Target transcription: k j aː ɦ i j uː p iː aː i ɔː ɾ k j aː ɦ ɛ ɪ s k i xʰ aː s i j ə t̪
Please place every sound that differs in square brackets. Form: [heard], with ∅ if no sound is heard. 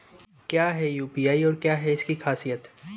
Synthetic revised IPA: k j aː ɦ [ɛ] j uː p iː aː i ɔː ɾ k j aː ɦ ɛ ɪ s k i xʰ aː s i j ə t̪